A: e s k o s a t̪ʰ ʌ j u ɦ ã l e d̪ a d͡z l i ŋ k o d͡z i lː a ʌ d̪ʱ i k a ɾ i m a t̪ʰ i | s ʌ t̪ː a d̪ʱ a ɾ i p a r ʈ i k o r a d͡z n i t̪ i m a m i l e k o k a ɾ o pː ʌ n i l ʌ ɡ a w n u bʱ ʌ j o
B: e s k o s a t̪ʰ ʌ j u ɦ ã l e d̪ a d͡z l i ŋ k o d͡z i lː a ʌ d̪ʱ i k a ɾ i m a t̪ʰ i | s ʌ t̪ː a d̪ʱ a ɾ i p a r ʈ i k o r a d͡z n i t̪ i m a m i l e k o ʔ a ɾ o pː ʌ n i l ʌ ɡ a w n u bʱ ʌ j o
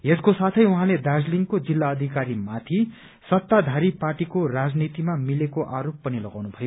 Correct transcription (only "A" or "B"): B